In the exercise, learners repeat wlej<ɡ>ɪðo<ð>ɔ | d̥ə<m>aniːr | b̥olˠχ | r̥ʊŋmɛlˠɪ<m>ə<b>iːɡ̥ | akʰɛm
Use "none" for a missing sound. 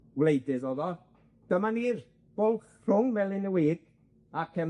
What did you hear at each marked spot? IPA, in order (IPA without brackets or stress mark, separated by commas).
d, ð, m, n, w